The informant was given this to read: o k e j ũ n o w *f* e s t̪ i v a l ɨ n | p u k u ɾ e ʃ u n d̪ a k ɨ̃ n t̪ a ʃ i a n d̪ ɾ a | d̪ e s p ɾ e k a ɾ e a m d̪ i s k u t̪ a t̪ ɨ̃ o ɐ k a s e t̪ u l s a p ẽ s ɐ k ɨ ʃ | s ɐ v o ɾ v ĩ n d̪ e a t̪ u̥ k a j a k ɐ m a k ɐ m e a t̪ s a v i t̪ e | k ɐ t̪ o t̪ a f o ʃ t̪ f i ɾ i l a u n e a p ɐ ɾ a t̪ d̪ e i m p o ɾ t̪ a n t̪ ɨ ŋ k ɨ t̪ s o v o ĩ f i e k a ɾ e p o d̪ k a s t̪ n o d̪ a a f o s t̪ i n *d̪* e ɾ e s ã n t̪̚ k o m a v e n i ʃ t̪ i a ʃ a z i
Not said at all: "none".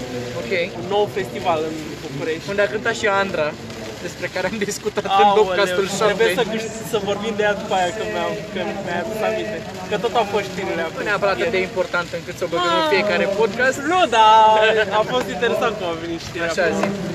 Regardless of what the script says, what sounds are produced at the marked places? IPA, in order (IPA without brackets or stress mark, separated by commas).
f, t̪